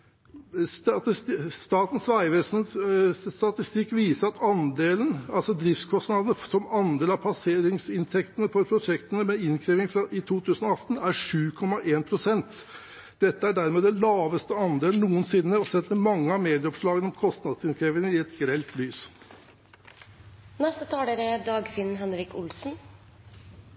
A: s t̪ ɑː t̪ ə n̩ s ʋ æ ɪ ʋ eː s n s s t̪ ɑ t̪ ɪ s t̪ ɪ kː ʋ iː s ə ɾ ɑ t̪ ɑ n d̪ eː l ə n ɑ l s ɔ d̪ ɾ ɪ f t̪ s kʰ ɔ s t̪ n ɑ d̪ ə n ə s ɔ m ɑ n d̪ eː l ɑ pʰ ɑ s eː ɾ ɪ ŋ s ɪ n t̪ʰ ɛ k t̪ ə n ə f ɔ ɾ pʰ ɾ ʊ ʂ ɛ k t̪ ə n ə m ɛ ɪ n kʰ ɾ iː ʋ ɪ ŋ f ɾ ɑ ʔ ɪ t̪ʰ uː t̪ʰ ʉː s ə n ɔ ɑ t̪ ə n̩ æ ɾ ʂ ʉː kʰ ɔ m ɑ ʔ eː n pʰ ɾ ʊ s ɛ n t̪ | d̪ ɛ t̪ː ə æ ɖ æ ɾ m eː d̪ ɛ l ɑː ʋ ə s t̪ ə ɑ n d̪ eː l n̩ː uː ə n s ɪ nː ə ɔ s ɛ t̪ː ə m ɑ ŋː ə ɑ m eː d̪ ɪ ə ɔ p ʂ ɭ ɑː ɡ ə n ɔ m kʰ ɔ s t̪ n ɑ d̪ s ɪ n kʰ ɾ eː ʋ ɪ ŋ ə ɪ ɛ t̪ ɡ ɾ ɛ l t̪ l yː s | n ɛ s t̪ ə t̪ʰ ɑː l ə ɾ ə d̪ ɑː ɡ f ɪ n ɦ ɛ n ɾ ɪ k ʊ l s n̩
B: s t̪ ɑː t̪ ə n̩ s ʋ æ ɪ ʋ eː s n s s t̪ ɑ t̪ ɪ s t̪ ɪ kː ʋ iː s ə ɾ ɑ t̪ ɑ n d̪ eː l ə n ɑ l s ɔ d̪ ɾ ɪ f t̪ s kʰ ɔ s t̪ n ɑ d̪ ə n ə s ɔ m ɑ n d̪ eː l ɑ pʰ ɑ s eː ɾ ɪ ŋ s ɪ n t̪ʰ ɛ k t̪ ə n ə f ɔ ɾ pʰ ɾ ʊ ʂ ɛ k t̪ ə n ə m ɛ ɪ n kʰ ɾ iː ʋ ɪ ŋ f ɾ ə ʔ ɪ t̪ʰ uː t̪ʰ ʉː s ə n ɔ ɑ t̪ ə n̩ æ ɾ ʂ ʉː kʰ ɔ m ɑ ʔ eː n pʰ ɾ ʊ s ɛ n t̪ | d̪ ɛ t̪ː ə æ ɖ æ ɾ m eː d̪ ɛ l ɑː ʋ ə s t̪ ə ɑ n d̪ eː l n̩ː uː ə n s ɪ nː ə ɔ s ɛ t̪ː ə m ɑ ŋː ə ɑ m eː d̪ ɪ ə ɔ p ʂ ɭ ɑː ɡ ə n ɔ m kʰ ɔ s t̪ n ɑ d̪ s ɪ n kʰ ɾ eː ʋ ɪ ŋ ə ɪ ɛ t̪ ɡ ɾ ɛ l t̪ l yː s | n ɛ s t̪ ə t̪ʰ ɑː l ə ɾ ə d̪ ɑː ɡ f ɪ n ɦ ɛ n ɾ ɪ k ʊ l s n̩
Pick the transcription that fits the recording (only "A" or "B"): A